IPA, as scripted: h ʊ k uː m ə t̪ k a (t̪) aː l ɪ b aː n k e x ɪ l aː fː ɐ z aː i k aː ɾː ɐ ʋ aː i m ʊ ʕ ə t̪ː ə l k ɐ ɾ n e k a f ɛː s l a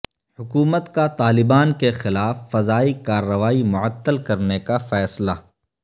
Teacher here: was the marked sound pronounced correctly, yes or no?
yes